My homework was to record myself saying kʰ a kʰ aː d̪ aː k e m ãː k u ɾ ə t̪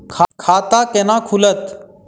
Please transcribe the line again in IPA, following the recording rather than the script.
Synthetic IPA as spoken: kʰ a kʰ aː t̪ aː k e n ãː kʰ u l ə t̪